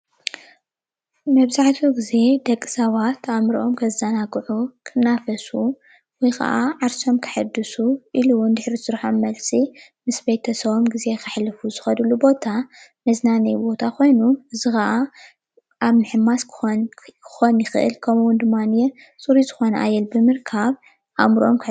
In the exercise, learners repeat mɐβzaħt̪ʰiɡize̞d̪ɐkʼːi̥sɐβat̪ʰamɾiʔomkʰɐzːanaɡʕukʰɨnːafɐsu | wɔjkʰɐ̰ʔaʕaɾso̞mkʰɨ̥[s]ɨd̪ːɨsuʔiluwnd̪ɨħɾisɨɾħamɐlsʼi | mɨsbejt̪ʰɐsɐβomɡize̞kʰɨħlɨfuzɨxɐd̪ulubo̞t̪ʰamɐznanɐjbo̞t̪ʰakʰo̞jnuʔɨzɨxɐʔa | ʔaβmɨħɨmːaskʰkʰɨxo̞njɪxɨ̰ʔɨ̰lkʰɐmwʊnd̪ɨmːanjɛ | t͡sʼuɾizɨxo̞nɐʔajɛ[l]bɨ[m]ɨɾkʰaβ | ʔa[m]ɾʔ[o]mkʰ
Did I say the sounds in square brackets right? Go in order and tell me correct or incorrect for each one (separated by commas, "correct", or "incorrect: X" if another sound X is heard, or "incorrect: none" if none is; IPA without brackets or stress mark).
incorrect: ħ, correct, correct, correct, correct